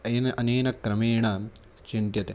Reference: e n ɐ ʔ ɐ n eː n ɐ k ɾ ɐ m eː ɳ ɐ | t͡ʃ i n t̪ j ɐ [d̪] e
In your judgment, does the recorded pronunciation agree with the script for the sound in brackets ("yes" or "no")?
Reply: no